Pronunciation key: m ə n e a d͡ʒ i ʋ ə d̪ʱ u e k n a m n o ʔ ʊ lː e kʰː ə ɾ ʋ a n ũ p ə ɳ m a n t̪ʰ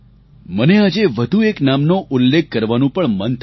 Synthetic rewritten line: m ə n e a d͡ʒ e ʋ ə d̪ʱ u e k n a m n o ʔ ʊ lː e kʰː ə ɾ ʋ a n ũ p ə ɳ m ə n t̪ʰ